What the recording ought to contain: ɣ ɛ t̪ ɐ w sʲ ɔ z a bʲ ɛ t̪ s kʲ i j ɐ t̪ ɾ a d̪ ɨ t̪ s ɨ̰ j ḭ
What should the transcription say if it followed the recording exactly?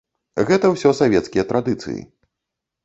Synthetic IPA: ɣ ɛ t̪ ɐ w sʲ ɔ s a vʲ ɛ t̪ s kʲ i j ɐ t̪ ɾ a d̪ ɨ t̪ s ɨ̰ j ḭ